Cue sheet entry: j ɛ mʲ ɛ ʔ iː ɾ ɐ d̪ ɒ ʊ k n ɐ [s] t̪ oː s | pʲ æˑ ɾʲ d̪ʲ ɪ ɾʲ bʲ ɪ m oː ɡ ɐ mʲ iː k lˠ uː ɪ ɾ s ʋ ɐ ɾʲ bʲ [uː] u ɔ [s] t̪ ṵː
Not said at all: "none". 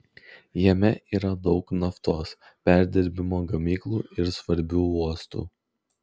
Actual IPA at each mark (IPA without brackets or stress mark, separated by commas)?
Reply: f, uː, s